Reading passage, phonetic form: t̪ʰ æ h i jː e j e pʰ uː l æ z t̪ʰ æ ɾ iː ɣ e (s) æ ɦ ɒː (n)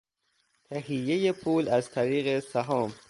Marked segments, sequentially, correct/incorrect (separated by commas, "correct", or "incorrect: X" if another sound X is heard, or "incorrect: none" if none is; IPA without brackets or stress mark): correct, incorrect: m